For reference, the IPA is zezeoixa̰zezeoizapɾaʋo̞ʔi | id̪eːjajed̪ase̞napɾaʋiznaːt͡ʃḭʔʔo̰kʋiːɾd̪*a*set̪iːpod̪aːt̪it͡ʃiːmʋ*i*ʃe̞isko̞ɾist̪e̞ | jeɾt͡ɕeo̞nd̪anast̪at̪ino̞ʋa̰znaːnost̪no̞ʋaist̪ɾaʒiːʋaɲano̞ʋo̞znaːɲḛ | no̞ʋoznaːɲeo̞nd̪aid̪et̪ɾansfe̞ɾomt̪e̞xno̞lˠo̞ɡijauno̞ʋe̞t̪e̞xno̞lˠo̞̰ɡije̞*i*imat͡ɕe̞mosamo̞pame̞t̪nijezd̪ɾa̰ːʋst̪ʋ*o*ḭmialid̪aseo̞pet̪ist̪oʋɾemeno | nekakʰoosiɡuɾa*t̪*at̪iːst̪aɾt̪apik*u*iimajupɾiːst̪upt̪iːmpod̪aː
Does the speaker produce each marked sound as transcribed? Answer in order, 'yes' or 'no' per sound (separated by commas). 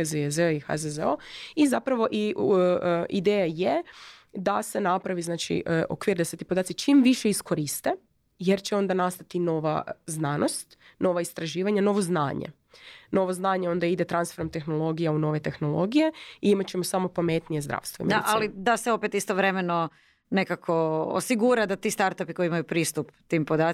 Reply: yes, yes, yes, yes, no, no